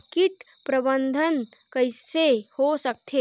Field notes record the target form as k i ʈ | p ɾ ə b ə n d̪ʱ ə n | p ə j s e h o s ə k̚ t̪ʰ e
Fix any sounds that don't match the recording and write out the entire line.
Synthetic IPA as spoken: k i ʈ | p ɾ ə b ə n d̪ʱ ə n | k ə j s e h o s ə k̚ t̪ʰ e

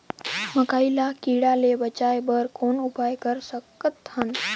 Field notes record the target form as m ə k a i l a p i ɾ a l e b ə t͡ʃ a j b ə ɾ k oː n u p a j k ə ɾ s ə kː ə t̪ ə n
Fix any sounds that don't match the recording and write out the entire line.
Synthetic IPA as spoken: m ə k a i l a k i ɽ a l e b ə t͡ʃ a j b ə ɾ k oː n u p a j k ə ɾ s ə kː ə t̪ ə n

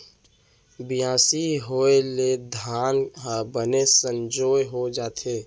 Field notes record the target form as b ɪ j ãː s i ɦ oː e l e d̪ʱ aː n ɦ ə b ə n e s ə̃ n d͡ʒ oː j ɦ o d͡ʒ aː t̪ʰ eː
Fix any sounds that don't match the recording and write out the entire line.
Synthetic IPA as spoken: b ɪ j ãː s i ɦ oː e l e d̪ʱ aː n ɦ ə b ə n e s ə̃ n d͡ʒ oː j ɦ o d͡ʒ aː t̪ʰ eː

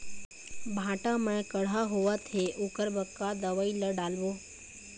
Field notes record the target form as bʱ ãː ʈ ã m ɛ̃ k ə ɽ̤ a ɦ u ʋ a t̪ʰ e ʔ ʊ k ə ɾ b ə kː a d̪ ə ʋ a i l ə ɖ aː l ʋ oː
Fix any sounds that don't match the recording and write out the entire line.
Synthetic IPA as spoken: bʱ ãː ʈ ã m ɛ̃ k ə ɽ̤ a ɦ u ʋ a t̪ʰ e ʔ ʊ k ə ɾ b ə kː a d̪ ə ʋ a i l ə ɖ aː l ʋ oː

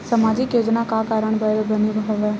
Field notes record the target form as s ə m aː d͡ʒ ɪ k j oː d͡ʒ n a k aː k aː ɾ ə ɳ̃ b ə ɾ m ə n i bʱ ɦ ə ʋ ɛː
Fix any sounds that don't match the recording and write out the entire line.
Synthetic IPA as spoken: s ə m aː d͡ʒ ɪ k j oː d͡ʒ n a k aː k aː ɾ ə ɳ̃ b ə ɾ b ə n i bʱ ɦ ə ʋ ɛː

